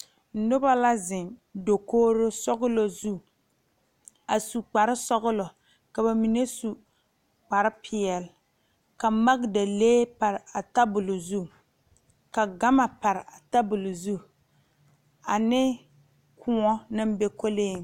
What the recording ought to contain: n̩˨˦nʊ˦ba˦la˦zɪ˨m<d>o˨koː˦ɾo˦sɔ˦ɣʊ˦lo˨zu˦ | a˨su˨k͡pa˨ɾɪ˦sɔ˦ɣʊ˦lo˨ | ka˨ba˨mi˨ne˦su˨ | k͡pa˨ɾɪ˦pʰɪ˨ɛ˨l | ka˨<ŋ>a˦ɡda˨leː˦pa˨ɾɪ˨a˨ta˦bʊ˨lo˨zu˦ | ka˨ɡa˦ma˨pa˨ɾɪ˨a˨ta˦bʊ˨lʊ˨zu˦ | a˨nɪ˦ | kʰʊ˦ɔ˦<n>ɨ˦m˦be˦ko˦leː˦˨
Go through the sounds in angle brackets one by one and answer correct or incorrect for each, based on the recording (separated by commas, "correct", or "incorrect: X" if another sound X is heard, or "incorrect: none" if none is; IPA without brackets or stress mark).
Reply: correct, incorrect: m, correct